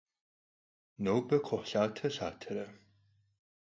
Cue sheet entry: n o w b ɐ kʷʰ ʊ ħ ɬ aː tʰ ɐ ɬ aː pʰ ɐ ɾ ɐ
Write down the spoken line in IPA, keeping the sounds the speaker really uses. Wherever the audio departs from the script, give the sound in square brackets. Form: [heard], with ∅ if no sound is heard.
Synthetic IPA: n o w b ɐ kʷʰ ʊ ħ ɬ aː tʰ ɐ ɬ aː [tʰ] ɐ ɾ ɐ